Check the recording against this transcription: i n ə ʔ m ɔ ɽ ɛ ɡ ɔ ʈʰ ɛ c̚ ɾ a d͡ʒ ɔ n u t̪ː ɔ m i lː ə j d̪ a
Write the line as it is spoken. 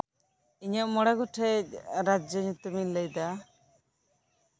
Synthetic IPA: i ɲ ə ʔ m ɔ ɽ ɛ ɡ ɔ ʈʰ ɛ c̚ ɾ a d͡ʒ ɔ ɲ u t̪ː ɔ m i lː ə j d̪ a